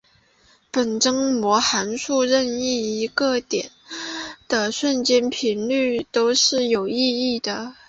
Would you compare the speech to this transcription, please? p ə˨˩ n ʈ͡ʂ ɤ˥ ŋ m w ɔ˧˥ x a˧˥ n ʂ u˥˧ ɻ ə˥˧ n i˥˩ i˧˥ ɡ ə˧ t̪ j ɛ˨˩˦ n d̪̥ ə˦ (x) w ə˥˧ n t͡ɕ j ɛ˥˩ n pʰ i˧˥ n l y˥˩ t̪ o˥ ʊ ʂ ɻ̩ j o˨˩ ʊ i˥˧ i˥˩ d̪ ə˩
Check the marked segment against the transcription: incorrect: ʂ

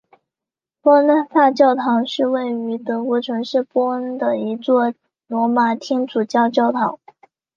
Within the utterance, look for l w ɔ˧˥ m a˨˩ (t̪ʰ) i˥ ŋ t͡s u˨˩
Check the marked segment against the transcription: correct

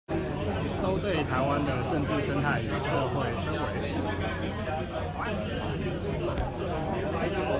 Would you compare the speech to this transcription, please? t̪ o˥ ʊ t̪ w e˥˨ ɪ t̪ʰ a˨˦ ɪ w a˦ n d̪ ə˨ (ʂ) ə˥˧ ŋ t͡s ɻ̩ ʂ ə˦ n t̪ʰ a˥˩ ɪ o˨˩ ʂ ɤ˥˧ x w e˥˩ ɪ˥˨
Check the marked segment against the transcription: incorrect: ʈ͡ʂ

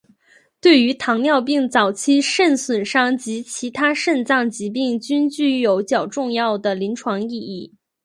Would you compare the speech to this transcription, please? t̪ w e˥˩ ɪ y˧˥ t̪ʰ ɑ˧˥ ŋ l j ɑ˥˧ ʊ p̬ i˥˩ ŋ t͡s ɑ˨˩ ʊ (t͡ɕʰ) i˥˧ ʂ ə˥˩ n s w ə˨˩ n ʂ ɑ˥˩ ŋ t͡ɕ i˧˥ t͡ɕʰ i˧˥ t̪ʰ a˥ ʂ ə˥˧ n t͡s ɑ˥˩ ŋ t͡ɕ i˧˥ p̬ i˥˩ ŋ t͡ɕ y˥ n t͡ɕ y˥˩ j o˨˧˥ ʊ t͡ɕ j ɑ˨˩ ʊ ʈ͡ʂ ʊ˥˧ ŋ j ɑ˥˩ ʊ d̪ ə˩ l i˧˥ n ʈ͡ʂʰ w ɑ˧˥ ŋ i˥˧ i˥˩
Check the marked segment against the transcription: correct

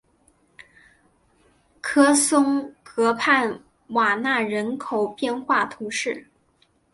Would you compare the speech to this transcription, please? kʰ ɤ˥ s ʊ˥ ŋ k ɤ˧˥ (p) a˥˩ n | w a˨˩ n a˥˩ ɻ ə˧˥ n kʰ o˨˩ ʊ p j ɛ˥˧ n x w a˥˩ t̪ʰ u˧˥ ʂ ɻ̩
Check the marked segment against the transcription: incorrect: pʰ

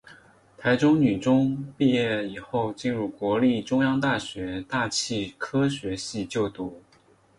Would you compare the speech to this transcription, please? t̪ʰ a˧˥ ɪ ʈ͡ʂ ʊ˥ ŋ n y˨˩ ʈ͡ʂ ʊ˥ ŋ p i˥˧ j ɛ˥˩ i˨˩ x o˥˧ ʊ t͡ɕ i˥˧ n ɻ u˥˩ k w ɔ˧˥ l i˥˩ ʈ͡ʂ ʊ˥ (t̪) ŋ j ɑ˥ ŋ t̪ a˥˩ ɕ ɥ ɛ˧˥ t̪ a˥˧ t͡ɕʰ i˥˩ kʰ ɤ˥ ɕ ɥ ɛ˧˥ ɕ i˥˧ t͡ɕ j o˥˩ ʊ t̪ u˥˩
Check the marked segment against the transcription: incorrect: none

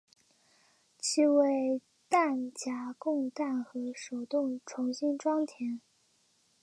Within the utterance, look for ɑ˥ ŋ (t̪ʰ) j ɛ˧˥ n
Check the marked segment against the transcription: correct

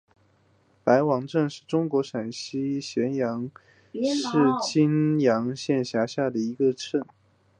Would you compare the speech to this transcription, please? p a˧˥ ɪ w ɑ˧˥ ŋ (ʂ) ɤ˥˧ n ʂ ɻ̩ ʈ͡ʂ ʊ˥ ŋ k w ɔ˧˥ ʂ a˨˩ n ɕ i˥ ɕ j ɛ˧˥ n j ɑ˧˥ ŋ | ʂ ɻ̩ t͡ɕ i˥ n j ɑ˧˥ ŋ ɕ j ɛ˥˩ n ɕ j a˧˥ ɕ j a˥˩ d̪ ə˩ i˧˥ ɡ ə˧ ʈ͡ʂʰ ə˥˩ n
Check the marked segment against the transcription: incorrect: ʈ͡ʂ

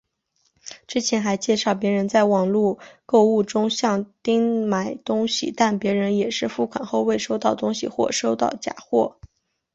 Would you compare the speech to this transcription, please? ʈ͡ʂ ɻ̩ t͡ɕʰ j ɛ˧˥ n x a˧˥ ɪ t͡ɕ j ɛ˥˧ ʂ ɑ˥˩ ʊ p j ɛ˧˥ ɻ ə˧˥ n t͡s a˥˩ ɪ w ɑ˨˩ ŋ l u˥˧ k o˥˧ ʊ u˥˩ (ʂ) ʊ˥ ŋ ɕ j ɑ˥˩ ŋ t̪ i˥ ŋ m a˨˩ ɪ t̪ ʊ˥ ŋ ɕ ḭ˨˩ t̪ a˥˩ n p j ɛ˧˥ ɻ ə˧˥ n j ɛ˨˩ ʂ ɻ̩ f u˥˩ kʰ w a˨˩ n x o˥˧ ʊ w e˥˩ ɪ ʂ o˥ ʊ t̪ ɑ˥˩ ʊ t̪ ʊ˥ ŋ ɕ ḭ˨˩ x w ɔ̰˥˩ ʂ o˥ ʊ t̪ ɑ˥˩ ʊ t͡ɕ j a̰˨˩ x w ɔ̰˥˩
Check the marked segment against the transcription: incorrect: ʈ͡ʂ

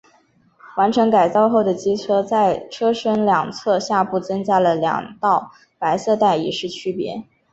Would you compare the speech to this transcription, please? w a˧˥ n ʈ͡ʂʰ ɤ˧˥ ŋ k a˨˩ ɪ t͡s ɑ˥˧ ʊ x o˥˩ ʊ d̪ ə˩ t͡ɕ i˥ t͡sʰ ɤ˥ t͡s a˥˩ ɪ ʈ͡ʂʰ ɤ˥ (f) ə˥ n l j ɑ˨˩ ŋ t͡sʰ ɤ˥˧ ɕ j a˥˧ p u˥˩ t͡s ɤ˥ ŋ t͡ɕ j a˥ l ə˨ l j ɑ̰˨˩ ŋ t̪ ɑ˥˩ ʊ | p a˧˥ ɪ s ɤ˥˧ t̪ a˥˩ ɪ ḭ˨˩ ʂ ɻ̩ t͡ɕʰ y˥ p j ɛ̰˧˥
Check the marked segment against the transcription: incorrect: ʂ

